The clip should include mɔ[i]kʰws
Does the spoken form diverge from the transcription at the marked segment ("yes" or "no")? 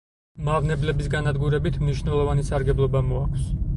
yes